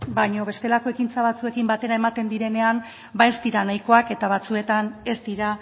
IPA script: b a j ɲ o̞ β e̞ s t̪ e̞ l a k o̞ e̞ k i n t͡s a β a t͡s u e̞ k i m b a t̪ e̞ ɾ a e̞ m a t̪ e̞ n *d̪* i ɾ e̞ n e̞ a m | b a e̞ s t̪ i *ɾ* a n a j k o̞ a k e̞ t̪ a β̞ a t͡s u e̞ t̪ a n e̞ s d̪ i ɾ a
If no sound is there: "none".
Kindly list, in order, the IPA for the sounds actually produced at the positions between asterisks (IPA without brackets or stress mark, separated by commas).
d̪, ɾ